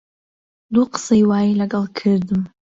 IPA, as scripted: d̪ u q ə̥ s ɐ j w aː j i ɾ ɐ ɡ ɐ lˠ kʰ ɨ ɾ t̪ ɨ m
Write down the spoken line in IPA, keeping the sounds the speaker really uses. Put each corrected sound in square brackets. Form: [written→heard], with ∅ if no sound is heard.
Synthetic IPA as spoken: d̪ u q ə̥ s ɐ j w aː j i [ɾ→l] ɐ ɡ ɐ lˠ kʰ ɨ ɾ [t̪→d̪] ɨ m